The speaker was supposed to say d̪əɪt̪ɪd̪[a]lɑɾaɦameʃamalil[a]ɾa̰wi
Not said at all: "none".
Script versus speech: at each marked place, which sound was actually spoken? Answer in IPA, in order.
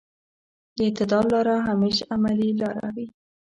ɑ, ɑ

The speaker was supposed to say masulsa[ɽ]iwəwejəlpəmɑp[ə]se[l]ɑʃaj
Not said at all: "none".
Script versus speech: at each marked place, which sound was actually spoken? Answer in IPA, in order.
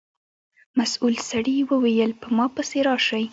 ɽ, ə, ɾ

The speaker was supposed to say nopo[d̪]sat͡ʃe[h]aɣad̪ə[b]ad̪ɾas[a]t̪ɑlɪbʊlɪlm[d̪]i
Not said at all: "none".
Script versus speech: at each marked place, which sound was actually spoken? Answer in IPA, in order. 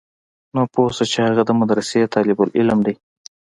none, h, m, e, d̪

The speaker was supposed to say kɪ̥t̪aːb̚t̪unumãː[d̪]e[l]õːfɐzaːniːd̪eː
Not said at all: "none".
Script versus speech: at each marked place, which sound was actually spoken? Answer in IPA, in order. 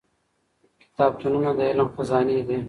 d̪, l

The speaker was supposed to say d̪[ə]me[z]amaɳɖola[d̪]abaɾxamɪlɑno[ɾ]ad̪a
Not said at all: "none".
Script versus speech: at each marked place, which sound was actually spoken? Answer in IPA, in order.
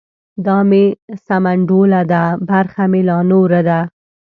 ɑ, s, d̪, ɾ

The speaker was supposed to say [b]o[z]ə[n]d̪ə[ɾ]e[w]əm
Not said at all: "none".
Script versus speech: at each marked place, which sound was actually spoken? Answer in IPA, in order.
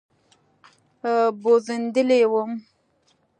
b, z, n, l, w

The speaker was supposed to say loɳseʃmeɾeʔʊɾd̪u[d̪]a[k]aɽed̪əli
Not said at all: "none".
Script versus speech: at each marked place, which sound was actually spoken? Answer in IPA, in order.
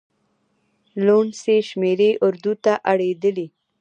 t̪, ʔ

